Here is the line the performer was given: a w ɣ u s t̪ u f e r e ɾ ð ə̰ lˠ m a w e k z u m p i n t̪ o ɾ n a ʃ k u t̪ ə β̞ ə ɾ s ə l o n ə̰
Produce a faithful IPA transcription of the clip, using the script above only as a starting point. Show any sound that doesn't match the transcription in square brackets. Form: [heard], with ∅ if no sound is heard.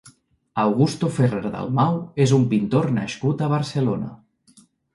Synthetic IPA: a w ɣ u s t̪ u f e r e ɾ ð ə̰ lˠ m a w e [∅] z u m p i n t̪ o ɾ n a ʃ k u t̪ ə β̞ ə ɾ s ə l o n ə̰

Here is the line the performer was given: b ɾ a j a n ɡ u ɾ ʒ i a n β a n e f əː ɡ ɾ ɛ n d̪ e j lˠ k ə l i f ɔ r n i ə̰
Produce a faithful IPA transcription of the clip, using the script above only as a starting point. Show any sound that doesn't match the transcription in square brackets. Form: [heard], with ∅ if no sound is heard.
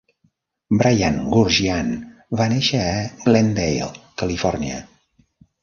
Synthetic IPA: b ɾ a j a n ɡ u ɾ ʒ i a n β a n e [ʃ] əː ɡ [l] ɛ n d̪ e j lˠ k ə l i f ɔ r n i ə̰

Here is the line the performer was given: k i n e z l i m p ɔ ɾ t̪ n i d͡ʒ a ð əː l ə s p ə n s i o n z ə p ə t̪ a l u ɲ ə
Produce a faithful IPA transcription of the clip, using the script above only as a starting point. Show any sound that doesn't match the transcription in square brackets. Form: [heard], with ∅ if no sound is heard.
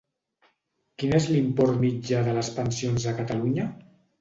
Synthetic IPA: k i n e z l i m p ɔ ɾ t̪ [m] i d͡ʒ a ð [ə] l ə s p ə n s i o n z ə [k] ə t̪ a l u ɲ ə

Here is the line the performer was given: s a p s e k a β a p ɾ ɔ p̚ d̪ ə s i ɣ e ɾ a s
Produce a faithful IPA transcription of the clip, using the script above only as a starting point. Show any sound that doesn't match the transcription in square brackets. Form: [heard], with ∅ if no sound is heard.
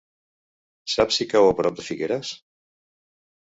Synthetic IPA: s a p s [i] k a [w] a p ɾ ɔ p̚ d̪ ə [f] i ɣ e ɾ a s

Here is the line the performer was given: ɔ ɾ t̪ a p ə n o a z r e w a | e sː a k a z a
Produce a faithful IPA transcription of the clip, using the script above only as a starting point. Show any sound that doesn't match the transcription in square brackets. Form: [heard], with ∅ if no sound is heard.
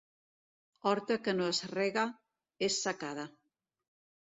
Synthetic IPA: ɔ ɾ t̪ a [k] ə n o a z r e [ɣ] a | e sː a k a [ð] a

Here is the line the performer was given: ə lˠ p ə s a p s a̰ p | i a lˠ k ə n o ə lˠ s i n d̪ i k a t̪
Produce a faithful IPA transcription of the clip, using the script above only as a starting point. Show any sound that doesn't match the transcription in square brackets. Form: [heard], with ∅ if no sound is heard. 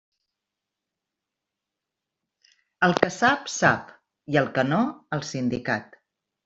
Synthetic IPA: ə lˠ [k] ə s a p s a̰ p | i [ə] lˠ k ə n o ə lˠ s i n d̪ i k a t̪

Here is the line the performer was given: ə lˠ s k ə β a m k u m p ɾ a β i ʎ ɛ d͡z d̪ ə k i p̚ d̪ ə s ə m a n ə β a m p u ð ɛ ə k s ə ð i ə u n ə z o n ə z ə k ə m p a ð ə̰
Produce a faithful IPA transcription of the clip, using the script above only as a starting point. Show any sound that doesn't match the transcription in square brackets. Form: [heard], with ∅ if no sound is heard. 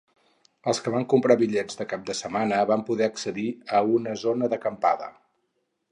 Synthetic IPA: ə lˠ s k ə β a [ŋ] k u m p ɾ a β i ʎ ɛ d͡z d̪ ə k [a] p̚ d̪ ə s ə m a n ə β a m p u ð ɛ ə k s ə ð i ə u n ə z o n ə [ð] ə k ə m p a ð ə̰

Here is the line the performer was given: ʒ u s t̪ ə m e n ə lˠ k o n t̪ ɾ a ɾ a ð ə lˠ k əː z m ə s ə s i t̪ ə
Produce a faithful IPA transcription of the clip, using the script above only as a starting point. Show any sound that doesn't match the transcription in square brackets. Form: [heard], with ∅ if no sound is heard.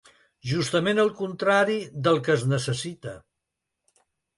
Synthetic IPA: ʒ u s t̪ ə m e n ə lˠ k [u] n t̪ ɾ a ɾ [i] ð ə lˠ k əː z [n] ə s ə s i t̪ ə

